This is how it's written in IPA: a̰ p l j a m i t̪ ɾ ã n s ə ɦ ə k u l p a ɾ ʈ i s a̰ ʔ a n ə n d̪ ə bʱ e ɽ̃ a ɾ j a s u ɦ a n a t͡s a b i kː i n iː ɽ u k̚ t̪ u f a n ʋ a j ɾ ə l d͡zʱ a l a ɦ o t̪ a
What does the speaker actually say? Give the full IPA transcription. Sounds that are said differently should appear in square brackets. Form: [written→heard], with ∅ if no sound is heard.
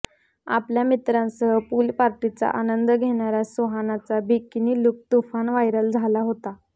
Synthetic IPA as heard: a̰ p l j a m i t̪ ɾ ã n s ə ɦ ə [k→p] u l p a ɾ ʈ i [s→t͡s] a̰ ʔ a n ə n d̪ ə [bʱ→ɡʱ] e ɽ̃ a ɾ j a s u ɦ a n a t͡s a b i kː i n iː [ɽ→l] u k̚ t̪ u f a n ʋ a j ɾ ə l d͡zʱ a l a ɦ o t̪ a

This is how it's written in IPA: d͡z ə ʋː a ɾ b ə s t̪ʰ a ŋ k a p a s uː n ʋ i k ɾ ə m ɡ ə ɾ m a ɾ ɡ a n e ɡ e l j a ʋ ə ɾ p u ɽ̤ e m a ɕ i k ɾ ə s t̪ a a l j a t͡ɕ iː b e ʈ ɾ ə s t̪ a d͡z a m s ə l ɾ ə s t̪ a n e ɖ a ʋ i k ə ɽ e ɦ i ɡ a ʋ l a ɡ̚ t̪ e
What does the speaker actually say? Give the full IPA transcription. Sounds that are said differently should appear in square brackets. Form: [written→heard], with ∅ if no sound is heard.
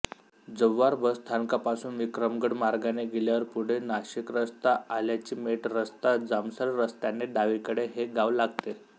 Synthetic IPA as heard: d͡z ə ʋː a ɾ b ə s t̪ʰ a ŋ k a p a s uː n ʋ i k ɾ ə m ɡ ə [ɾ→ɽ] m a ɾ ɡ a n e ɡ e l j a ʋ ə ɾ p u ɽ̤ e [m→n] a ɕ i k ɾ ə s t̪ a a l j a t͡ɕ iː [b→m] e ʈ ɾ ə s t̪ a d͡z a m s ə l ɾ ə s t̪ a n e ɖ a ʋ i k ə ɽ e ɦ [i→e] ɡ a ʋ l a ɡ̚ t̪ e

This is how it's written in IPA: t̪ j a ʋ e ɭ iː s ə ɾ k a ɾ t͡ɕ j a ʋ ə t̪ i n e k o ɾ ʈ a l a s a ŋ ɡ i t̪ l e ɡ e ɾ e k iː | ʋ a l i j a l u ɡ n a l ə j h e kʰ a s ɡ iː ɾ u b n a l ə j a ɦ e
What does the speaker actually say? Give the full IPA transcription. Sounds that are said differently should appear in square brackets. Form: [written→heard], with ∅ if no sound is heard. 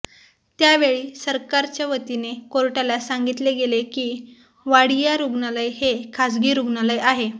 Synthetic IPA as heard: t̪ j a ʋ e ɭ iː s ə ɾ k a ɾ t͡ɕ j a ʋ ə t̪ i n e k o ɾ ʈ a l a s a ŋ ɡ i t̪ l e ɡ e [ɾ→l] e k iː | ʋ a [l→ɽ] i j a [l→ɾ] u ɡ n a l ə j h e kʰ a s ɡ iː ɾ u [b→ɡ] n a l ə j a ɦ e

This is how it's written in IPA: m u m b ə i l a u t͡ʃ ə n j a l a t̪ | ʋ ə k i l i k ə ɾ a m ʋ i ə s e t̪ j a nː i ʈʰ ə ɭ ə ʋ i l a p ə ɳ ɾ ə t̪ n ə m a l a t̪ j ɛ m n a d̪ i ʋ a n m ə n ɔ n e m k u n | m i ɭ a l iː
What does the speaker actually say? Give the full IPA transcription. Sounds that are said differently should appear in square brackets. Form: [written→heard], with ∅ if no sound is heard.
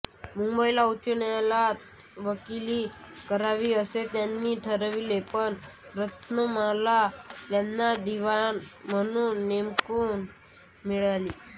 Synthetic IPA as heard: m u m b ə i l a u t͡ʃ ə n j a l a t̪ | ʋ ə k i l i k ə ɾ a [m→∅] ʋ i ə s e t̪ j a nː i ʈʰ ə [ɭ→ɾ] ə ʋ i l [a→e] p ə ɳ ɾ ə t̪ n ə m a l a t̪ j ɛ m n a d̪ i ʋ a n m ə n [ɔ→u] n e m k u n | m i ɭ a l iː

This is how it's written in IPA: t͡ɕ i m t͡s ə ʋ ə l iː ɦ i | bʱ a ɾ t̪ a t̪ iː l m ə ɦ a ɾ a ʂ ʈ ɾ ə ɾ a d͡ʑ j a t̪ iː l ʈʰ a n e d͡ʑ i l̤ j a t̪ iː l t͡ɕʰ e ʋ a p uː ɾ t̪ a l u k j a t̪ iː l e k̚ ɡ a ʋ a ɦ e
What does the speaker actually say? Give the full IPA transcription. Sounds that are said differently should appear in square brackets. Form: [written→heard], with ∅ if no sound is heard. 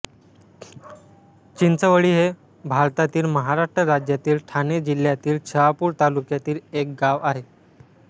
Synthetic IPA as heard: t͡ɕ i [m→n] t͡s ə ʋ ə [l→ɭ] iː ɦ [i→e] | bʱ a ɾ t̪ a t̪ iː l m ə ɦ a ɾ a ʂ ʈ ɾ ə ɾ a d͡ʑ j a t̪ iː l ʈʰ a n e d͡ʑ i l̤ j a t̪ iː l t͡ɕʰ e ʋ a p uː ɾ t̪ a l u k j a t̪ iː l e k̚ ɡ a ʋ a ɦ e

